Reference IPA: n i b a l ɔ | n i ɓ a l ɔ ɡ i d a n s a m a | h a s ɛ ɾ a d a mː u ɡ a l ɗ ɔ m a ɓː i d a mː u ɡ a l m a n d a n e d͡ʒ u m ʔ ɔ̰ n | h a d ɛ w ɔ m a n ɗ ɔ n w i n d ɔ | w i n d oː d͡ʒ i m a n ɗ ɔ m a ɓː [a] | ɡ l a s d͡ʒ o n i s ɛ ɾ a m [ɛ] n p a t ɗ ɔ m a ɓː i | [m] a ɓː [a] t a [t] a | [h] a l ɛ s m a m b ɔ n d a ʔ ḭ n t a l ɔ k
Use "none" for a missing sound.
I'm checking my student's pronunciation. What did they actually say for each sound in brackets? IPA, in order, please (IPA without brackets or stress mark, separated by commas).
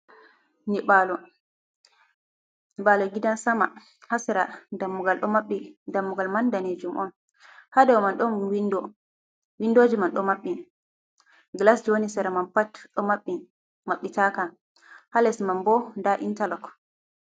i, a, m, i, k, h